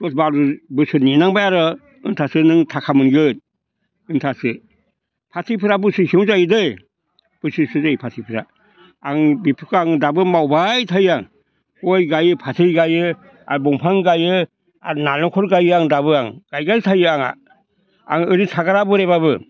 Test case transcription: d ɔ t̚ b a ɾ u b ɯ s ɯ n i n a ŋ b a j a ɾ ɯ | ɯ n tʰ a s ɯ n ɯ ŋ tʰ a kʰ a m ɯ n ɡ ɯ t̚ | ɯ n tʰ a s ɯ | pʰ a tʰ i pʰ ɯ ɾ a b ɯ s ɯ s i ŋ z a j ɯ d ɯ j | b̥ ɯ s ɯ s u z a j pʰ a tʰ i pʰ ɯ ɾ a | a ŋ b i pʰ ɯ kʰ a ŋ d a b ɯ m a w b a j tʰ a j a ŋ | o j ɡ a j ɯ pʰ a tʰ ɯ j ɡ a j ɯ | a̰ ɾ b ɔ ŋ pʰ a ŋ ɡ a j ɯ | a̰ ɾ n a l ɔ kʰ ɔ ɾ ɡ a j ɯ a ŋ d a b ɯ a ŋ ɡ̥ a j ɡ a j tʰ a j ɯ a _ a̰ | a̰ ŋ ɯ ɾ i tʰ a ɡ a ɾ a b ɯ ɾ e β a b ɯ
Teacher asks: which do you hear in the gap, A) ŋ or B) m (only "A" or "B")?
A